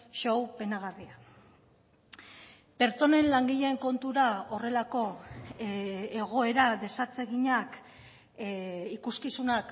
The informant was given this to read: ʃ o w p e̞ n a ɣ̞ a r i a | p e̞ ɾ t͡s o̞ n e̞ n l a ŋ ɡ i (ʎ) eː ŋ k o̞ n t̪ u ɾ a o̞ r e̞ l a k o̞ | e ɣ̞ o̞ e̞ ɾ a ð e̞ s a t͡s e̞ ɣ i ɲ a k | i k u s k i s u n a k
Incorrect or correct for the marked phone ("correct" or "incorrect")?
correct